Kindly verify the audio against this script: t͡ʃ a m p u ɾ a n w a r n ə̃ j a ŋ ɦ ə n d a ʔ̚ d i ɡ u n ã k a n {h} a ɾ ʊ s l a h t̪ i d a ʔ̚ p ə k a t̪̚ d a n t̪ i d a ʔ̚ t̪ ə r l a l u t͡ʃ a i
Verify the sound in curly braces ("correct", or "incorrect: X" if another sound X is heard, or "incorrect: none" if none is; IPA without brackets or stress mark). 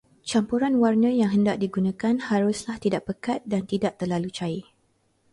correct